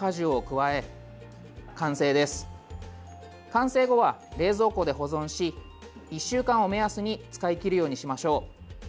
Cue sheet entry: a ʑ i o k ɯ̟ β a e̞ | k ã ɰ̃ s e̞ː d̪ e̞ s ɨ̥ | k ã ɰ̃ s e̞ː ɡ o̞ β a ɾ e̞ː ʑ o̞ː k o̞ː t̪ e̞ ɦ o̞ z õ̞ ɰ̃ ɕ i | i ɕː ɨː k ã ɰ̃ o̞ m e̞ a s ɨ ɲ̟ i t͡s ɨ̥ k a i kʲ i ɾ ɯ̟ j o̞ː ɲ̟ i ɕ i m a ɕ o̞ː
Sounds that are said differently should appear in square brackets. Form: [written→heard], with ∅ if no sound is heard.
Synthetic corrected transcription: a ʑ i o k ɯ̟ β a e̞ | k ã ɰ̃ s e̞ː d̪ e̞ s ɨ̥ | k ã ɰ̃ s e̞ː ɡ o̞ β a ɾ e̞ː [ʑ→z] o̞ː k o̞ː [t̪→d̪] e̞ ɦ o̞ z õ̞ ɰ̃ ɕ i | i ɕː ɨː k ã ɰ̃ o̞ m e̞ a s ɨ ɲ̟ i t͡s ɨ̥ k a i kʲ i ɾ ɯ̟ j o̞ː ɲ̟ i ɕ i m a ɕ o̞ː